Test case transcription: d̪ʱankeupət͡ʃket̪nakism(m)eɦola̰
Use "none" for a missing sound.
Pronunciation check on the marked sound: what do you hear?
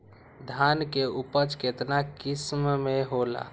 m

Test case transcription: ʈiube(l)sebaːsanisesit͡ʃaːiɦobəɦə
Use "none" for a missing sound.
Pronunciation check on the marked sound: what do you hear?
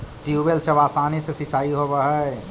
l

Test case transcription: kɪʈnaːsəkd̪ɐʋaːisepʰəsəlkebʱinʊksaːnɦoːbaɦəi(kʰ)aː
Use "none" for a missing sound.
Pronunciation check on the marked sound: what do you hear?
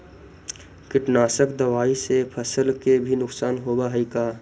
k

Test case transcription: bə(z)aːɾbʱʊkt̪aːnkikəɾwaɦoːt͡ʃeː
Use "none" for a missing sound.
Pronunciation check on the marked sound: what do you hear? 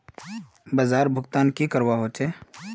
z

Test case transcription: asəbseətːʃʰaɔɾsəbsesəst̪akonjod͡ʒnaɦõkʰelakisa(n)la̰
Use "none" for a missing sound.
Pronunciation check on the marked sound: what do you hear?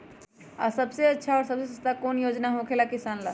n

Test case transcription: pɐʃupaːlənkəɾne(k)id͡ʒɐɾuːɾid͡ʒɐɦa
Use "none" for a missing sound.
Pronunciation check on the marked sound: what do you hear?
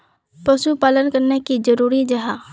k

